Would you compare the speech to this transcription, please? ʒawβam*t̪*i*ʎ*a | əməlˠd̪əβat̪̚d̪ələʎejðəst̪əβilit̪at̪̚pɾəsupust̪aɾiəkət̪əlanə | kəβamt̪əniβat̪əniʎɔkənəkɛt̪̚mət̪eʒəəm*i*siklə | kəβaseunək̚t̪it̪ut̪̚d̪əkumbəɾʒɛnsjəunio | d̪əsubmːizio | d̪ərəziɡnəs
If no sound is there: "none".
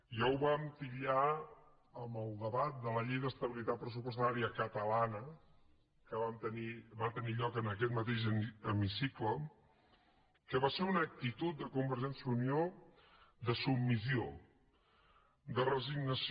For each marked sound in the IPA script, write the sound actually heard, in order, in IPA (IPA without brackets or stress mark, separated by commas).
t̪, ʎ, i